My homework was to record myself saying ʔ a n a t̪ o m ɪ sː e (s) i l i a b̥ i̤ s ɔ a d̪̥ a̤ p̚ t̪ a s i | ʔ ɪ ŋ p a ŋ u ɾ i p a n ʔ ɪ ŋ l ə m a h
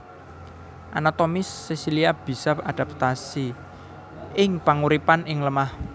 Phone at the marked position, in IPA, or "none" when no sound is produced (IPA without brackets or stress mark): s